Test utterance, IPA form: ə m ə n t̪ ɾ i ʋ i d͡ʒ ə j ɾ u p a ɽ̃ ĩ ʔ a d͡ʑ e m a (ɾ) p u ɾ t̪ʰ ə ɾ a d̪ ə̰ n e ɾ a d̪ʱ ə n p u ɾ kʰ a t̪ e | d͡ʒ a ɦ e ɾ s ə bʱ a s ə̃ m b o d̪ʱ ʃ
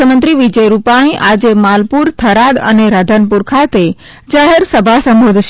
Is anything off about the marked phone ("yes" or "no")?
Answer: yes